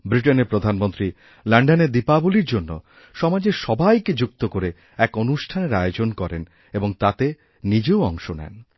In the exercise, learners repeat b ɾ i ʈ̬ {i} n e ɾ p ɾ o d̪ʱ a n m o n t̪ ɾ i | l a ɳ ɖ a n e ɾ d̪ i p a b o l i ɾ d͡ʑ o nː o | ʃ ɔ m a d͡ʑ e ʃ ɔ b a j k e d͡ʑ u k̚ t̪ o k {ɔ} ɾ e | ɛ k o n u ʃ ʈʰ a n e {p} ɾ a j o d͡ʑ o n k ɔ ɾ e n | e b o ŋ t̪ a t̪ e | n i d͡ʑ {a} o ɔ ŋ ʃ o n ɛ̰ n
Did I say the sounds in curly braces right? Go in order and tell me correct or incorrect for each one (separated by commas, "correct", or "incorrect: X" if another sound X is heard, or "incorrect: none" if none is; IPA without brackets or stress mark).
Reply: incorrect: e, incorrect: o, incorrect: none, incorrect: e